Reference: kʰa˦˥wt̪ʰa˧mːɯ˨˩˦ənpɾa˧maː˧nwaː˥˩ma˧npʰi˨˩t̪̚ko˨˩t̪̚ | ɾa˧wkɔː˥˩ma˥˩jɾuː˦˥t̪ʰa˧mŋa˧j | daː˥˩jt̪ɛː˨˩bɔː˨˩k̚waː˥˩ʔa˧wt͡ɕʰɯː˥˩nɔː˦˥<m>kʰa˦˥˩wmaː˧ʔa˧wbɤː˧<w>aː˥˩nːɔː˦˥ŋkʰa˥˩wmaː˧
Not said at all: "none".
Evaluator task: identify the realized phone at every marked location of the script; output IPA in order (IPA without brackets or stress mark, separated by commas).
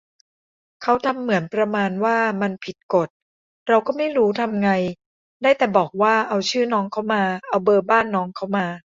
ŋ, b